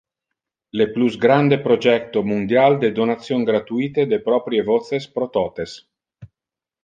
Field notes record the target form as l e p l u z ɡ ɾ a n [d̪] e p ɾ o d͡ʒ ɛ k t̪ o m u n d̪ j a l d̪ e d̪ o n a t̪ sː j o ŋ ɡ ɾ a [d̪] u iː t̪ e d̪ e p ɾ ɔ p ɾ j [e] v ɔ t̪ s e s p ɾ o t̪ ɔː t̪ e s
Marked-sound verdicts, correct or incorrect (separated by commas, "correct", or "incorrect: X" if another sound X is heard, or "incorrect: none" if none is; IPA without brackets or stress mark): correct, incorrect: t̪, correct